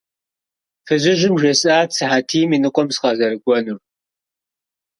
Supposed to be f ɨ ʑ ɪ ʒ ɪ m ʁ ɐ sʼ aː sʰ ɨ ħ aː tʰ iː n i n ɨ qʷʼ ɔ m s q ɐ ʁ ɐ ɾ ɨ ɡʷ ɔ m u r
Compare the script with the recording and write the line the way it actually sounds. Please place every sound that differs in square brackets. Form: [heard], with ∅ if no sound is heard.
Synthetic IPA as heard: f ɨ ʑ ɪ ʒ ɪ m [ʒ] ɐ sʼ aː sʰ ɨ ħ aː tʰ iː [m] i n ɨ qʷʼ ɔ m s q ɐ [z] ɐ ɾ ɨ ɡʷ ɔ [n] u r